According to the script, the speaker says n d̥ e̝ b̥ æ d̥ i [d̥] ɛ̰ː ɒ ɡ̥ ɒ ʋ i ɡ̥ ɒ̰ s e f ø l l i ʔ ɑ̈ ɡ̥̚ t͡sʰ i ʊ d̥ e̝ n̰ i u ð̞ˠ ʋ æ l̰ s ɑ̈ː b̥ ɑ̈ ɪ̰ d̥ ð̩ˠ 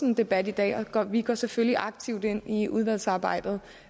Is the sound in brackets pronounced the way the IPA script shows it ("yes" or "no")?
yes